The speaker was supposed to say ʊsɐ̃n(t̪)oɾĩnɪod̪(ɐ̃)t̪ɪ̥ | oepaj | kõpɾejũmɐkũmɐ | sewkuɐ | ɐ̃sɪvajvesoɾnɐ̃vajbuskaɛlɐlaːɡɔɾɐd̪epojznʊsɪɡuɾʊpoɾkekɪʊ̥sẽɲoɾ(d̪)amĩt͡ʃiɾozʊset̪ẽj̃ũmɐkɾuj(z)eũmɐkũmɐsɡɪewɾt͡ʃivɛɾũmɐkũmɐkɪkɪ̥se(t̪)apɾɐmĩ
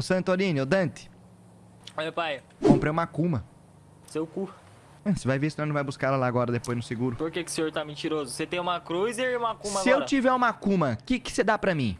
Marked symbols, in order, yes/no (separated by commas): yes, yes, no, yes, no